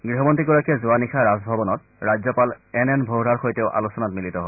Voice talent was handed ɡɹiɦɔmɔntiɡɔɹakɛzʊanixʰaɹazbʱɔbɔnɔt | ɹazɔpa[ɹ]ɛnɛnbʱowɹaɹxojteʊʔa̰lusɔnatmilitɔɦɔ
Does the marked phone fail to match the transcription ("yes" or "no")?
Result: yes